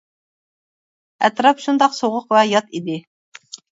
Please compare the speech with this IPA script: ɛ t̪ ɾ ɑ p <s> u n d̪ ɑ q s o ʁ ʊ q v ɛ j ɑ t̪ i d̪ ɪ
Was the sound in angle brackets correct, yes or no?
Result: no